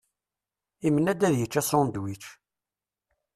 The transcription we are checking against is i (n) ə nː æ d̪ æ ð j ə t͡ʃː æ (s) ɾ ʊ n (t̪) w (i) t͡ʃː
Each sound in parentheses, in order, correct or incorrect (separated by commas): incorrect, correct, incorrect, correct